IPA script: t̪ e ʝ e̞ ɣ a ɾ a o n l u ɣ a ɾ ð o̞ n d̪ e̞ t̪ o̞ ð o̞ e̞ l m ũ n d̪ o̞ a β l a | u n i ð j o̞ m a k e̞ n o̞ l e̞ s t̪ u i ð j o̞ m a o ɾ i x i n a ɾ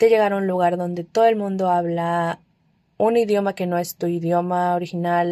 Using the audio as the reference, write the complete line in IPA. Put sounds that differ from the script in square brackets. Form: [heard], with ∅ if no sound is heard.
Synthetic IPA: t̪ e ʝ e̞ ɣ a ɾ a [u] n l u ɣ a ɾ ð o̞ n d̪ e̞ t̪ o̞ ð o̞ e̞ l m ũ n d̪ o̞ a β l a | u n i ð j o̞ m a k e̞ n o̞ [∅] e̞ s t̪ u i ð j o̞ m a o ɾ i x i n a [l]